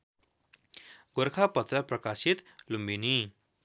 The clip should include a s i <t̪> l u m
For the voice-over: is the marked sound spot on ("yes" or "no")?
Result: yes